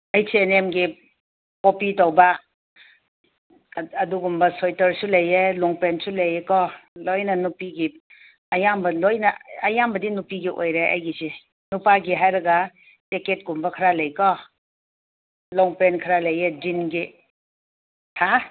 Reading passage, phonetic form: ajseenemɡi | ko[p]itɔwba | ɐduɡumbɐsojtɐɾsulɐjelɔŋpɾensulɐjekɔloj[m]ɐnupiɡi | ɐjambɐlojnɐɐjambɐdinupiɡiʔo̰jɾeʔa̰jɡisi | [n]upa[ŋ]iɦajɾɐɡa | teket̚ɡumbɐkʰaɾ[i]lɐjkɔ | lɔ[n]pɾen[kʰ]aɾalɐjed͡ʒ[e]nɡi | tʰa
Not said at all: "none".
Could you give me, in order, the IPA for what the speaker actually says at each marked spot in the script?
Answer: p, n, n, ɡ, a, ŋ, kʰ, i

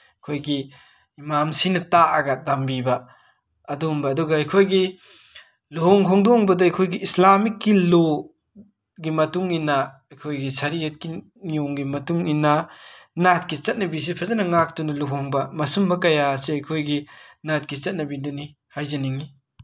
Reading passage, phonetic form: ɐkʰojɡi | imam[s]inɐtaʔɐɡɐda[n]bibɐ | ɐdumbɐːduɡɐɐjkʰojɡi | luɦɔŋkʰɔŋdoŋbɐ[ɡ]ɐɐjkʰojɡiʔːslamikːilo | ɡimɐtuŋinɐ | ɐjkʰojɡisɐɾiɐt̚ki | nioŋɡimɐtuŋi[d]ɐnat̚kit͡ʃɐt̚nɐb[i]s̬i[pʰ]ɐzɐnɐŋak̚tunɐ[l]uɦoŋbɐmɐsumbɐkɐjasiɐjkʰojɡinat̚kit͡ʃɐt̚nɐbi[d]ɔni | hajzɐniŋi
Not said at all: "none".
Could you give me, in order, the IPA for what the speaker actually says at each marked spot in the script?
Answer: s, m, d, n, i, pʰ, l, d

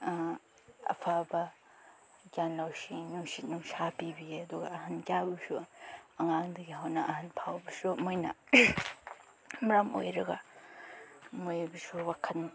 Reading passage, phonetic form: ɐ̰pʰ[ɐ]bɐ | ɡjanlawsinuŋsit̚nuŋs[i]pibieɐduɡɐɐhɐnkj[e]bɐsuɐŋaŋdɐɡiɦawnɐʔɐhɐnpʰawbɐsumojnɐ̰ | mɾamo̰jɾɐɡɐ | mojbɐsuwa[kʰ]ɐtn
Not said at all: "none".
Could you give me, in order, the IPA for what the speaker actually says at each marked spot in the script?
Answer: a, a, a, kʰ

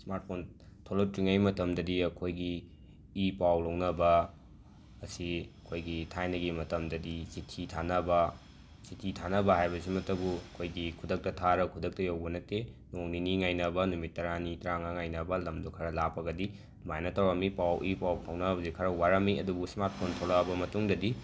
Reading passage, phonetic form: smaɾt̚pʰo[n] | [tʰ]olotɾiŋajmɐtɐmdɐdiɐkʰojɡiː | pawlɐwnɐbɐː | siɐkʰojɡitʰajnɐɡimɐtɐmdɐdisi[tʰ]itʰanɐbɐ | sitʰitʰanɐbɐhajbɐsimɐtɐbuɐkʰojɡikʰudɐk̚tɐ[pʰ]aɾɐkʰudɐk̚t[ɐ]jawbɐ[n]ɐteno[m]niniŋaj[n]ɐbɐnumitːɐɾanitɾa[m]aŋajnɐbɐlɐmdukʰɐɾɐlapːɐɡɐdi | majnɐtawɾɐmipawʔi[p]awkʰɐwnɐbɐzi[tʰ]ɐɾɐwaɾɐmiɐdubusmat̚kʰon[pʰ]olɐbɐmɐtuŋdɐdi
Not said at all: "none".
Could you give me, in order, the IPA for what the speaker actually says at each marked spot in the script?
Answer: n, tʰ, tʰ, tʰ, ɐ, n, ŋ, n, ŋ, p, kʰ, tʰ

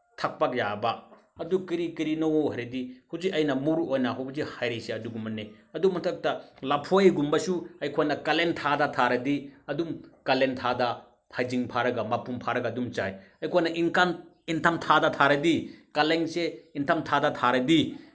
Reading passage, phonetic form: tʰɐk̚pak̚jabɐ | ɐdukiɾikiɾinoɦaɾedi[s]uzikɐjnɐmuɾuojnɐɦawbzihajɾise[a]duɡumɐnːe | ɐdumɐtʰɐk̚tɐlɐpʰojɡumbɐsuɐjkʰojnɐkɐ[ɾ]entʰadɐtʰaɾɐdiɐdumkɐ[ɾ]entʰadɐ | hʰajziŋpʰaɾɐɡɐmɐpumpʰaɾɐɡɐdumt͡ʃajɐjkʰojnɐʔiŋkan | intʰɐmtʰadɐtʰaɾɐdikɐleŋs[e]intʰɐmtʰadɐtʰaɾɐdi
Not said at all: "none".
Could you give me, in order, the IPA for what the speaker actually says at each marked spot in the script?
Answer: h, ɐ, l, l, e

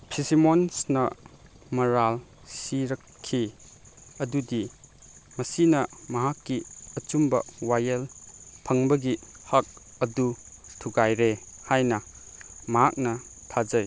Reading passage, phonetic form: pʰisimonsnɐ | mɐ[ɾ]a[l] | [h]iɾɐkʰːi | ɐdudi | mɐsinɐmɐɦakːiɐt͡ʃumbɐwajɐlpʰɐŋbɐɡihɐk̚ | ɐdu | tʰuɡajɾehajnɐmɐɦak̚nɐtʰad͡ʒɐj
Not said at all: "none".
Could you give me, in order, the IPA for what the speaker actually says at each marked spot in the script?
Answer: ɾ, l, s

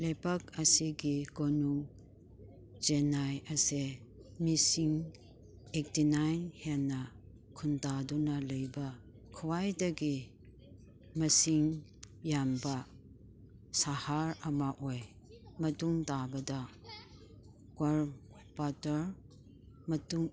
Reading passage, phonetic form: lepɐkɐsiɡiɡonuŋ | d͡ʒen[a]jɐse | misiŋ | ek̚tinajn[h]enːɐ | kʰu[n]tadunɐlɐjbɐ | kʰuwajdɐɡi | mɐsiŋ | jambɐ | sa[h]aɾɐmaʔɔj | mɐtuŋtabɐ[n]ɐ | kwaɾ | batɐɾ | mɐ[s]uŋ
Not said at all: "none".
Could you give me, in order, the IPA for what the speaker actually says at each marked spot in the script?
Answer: a, h, n, h, d, t

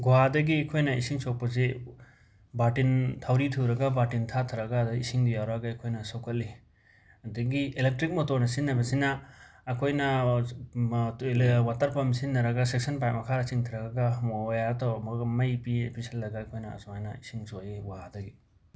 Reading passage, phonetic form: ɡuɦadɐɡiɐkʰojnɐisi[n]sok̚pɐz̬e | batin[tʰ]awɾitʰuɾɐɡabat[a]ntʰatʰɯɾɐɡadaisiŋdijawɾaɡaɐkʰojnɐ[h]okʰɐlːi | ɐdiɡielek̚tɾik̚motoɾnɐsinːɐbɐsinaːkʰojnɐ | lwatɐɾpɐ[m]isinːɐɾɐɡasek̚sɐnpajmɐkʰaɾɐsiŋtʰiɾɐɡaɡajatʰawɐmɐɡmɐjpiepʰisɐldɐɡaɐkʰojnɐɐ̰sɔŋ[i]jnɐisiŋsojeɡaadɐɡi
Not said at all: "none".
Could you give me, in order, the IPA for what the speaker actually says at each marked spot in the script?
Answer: ŋ, tʰ, i, s, m, a

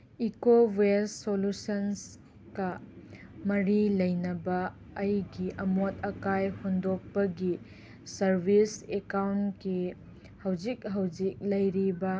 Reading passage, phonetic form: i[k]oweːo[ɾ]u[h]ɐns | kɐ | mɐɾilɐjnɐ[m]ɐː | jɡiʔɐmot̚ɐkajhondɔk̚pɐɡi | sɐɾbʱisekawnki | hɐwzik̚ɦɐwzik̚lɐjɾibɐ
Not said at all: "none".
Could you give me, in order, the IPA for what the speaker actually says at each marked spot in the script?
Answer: k, l, s, b

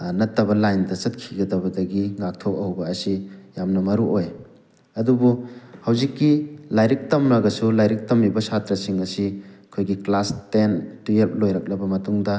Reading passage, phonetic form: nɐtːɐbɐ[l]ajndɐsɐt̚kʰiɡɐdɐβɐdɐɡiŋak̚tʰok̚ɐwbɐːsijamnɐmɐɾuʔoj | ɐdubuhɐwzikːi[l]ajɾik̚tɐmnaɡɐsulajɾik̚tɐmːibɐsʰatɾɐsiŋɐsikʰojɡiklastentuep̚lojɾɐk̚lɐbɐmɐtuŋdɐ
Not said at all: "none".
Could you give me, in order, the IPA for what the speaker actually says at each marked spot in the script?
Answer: l, l

